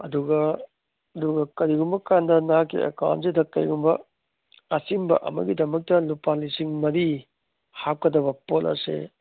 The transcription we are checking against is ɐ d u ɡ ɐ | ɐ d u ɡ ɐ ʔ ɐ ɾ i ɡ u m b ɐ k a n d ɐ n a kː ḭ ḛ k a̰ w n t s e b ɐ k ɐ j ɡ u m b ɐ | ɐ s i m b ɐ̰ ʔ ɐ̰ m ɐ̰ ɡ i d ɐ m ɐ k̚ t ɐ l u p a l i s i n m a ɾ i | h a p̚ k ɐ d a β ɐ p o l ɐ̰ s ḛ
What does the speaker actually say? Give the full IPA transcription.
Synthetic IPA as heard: ɐ d u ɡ ɐ | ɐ d u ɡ ɐ k ɐ ɾ i ɡ u m b ɐ k a n d ɐ n a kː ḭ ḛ k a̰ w n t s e d ɐ k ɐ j ɡ u m b ɐ | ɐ s i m b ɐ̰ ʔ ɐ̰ m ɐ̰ ɡ i d ɐ m ɐ k̚ t ɐ l u p a l i s i ŋ m ɐ ɾ i | h a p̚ k ɐ d ɐ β ɐ p o l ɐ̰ s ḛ